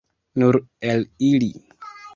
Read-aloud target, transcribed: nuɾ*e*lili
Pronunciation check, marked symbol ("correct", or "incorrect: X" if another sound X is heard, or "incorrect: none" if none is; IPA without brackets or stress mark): correct